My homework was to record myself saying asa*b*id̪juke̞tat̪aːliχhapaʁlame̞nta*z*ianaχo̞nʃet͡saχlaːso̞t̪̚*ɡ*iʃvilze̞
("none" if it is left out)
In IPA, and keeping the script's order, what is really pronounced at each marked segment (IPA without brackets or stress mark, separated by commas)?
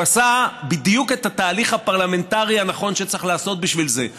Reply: b, ʁ, b